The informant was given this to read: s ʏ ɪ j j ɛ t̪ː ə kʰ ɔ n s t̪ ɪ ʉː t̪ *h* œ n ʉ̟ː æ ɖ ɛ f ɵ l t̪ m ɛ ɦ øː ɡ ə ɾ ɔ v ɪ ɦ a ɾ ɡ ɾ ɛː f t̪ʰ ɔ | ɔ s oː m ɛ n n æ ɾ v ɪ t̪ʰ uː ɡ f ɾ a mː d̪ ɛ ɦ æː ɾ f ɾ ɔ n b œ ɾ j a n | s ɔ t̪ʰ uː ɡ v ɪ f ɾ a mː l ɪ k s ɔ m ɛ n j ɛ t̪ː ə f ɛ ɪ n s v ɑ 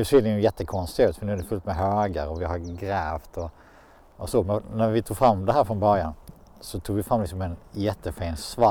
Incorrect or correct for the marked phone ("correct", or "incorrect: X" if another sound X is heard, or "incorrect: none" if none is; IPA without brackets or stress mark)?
incorrect: f